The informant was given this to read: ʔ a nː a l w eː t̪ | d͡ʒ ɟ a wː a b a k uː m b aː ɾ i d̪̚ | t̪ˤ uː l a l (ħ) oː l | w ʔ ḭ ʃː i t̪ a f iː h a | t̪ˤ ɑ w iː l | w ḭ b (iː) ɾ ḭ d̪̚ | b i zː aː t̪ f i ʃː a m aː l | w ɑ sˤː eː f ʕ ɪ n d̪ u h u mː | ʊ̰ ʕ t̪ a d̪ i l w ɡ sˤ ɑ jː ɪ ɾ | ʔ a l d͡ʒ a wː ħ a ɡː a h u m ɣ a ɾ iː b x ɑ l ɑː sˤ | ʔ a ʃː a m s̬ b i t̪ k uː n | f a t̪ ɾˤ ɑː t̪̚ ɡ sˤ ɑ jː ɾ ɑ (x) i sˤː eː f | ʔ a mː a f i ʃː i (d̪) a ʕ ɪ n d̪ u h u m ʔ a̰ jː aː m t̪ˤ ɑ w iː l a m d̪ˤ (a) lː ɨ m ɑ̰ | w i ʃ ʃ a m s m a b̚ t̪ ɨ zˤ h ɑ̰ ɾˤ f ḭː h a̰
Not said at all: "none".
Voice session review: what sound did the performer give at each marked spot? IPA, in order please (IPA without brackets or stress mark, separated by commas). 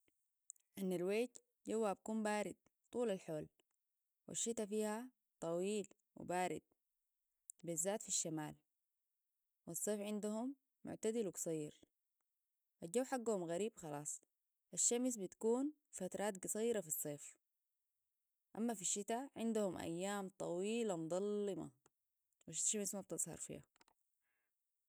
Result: ħ, aː, f, t̪, ɑ